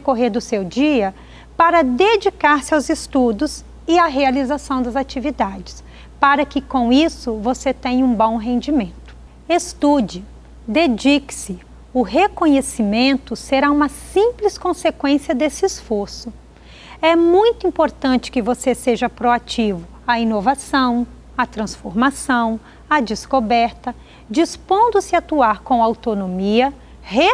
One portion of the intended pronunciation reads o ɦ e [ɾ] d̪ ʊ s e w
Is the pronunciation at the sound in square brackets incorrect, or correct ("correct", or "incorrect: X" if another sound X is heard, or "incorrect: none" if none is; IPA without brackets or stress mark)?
correct